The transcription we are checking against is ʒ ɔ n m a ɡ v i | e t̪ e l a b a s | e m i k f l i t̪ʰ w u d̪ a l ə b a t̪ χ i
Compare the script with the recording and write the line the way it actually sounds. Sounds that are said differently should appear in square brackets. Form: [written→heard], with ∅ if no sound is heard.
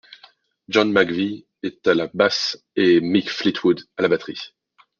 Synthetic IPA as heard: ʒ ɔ n m a ɡ v i | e t̪ [e→a] l a b a s | e m i k f l i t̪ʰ w u d̪ a l [ə→a] b a t̪ χ i